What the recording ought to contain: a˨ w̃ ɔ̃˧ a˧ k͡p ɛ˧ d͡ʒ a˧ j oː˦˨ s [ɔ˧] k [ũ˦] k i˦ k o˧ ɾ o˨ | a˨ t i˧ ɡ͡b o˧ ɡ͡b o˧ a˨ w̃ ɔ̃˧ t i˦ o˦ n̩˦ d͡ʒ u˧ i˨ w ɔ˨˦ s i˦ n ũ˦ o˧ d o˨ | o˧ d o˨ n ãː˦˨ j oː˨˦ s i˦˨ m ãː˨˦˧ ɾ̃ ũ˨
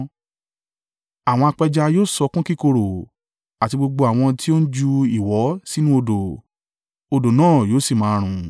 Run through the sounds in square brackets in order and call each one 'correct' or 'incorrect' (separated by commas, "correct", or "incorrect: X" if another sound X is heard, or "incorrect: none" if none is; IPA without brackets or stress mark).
correct, correct